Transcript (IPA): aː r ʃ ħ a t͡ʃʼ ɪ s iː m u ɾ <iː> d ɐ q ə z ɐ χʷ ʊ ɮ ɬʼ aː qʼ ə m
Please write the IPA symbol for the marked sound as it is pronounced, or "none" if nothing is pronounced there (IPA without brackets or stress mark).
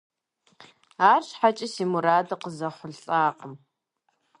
aː